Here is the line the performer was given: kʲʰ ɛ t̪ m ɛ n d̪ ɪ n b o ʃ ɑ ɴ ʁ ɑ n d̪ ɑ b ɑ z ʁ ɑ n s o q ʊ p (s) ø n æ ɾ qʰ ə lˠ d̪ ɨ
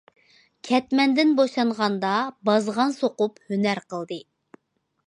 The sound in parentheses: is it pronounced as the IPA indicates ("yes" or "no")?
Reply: no